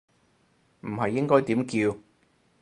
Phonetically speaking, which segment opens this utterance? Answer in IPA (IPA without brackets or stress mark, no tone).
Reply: m̩